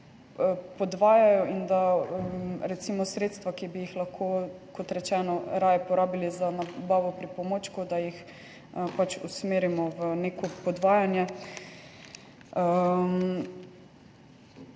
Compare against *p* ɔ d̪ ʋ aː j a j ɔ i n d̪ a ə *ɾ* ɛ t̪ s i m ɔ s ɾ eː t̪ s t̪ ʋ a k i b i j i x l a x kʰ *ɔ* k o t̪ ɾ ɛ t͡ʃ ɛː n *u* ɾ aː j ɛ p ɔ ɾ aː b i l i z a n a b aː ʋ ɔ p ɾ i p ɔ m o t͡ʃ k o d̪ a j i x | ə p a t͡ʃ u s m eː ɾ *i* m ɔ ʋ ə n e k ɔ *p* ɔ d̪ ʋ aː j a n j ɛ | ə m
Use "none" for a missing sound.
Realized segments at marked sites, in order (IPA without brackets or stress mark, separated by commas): p, ɾ, o, ɔ, i, p